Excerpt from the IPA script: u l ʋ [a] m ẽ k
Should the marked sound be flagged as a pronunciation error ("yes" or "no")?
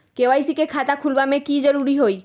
no